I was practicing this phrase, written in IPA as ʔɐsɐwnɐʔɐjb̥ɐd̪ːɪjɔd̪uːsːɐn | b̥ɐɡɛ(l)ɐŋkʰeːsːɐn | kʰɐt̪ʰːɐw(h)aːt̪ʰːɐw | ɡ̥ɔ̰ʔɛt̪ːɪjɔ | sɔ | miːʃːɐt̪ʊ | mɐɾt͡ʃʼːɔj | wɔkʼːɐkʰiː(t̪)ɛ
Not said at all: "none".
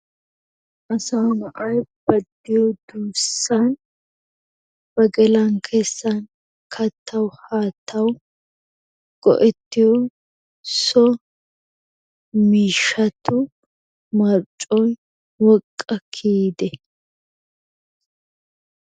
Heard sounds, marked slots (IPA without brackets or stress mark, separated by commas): l, h, d̪